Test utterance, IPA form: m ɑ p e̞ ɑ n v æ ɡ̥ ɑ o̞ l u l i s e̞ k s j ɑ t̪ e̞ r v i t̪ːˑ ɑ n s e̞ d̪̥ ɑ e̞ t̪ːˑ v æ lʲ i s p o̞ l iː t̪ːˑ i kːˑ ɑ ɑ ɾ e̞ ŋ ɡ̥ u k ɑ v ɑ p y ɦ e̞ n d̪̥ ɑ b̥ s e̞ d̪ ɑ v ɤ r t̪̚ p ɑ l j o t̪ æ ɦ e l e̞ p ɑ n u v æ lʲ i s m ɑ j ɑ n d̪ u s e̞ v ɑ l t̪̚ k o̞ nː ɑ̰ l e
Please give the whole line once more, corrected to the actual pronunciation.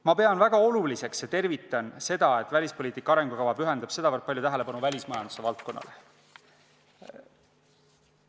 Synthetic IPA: m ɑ p e̞ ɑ n v æ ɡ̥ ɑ o̞ l u l i s e̞ k s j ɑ t̪ e̞ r v i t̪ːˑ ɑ n s e̞ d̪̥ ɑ e̞ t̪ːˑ v æ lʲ i s p o̞ l iː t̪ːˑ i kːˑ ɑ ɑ ɾ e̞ ŋ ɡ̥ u k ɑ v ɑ p y ɦ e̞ n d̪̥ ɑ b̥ s e̞ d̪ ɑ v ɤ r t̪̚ p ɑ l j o t̪ æ ɦ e l e̞ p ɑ n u v æ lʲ i s m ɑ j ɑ n d̪ u s e̞ v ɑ l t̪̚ k o̞ nː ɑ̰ l e